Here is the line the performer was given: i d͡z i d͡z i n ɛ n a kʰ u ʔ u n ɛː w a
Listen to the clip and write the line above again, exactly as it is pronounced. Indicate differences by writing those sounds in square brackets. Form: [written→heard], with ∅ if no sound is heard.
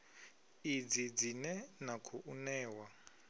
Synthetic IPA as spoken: i d͡z i d͡z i n ɛ n a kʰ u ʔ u n ɛː w a